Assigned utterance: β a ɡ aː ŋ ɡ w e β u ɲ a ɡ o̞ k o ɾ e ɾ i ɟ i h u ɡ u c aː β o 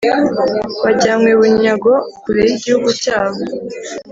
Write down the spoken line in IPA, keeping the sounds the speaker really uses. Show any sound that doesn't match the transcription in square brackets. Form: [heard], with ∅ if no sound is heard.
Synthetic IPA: β a [ɟ] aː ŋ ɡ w e β u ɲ a ɡ o̞ k [u] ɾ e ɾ i ɟ i h u ɡ u c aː β o

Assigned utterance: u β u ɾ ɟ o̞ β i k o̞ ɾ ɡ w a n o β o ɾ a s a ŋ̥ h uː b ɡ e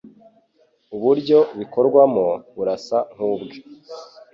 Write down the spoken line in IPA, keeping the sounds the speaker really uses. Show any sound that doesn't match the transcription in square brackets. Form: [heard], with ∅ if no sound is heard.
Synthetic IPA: u β u ɾ ɟ o̞ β i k o̞ ɾ ɡ w a [m] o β [u] ɾ a s a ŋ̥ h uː b ɡ e

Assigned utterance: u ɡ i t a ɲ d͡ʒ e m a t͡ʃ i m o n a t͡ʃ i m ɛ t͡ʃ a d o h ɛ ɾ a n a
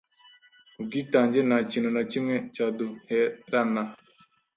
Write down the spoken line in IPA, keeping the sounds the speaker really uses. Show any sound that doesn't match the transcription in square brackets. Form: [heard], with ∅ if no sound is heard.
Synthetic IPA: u ɡ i t a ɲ d͡ʒ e [n] a t͡ʃ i [n] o n a t͡ʃ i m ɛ t͡ʃ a d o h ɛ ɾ a n a

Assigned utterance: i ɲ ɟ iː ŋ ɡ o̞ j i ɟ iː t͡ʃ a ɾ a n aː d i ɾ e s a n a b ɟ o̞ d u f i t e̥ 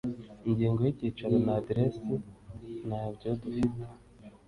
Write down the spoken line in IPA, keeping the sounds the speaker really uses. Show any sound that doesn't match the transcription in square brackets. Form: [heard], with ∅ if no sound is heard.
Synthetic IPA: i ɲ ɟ iː ŋ ɡ o̞ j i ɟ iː t͡ʃ a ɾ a n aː d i ɾ e s [i] n a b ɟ o̞ d u f i t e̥

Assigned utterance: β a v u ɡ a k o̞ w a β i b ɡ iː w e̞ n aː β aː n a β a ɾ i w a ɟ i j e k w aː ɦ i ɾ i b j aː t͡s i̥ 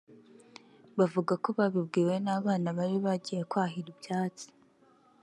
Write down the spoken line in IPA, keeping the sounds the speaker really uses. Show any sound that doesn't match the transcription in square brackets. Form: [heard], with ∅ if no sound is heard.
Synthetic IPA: β a v u ɡ a k o̞ [β] a β i b ɡ iː w e̞ n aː β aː n a β a ɾ i [β] a ɟ i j e k w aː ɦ i ɾ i b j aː t͡s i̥

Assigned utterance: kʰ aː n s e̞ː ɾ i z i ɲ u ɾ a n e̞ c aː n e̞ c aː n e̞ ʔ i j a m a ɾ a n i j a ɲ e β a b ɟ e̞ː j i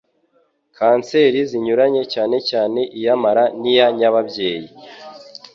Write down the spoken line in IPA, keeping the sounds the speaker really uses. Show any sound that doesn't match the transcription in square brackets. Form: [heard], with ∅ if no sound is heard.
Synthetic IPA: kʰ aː n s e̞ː ɾ i z i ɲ u ɾ a [ɲ] e̞ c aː n e̞ c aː n e̞ ʔ i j a m a ɾ a n i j a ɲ [a] β a b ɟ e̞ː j i

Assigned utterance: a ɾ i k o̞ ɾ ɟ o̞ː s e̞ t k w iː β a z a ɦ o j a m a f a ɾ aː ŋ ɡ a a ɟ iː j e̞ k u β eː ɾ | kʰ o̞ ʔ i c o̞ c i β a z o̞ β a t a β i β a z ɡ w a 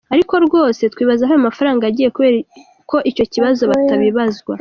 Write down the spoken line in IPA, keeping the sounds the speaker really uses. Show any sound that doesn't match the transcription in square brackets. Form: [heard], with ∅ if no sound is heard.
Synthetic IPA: a ɾ i k o̞ ɾ [ɡ] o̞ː s e̞ t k w iː β a z a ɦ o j a m a f a ɾ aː ŋ ɡ a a ɟ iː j e̞ k u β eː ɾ | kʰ o̞ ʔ i c o̞ c i β a z o̞ β a t a β i β a z ɡ w a

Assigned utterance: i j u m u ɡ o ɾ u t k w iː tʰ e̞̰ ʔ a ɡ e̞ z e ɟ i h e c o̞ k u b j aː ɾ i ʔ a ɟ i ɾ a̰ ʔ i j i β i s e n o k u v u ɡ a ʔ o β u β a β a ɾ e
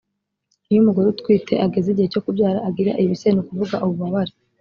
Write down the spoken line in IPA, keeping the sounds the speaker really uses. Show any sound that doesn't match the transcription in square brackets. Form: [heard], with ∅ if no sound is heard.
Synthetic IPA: i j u m u ɡ o ɾ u t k w iː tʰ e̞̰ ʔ a ɡ e̞ z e ɟ i h e c o̞ k u b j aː ɾ [a] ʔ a [ɡ] i ɾ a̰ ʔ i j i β i s e n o k u v u ɡ a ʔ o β u β a β a ɾ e

